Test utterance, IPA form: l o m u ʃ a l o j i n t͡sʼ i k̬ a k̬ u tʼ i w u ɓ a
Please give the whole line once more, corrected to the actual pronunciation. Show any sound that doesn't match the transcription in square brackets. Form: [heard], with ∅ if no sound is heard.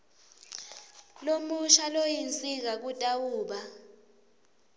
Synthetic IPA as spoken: l o m u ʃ a l o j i n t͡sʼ i k̬ a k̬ u tʼ [a] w [uː] ɓ a